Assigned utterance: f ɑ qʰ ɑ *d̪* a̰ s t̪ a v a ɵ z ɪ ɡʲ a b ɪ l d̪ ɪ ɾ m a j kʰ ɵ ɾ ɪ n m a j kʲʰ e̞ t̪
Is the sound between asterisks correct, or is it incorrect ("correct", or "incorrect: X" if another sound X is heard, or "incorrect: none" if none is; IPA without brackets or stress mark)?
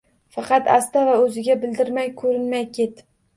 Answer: incorrect: t̪